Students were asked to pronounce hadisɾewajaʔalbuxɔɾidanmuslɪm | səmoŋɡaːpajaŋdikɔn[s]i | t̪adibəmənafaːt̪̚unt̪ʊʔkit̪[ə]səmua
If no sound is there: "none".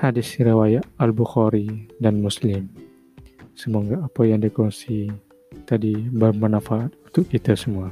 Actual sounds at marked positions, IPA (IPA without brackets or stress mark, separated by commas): s, a